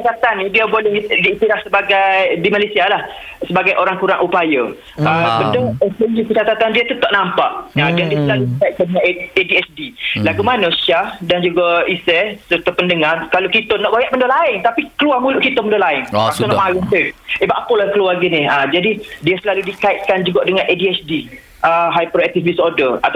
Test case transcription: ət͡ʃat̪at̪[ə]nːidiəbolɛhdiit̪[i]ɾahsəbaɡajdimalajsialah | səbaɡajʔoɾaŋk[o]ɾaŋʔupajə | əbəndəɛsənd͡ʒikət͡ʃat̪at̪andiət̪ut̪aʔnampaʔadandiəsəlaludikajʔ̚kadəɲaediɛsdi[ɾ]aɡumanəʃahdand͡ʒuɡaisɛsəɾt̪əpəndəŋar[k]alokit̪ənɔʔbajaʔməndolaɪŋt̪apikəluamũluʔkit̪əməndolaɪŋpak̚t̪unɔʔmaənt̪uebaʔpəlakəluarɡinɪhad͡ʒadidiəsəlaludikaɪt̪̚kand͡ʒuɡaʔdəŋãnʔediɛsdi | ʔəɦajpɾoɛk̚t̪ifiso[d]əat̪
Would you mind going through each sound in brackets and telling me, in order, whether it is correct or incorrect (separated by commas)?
incorrect, correct, incorrect, incorrect, correct, correct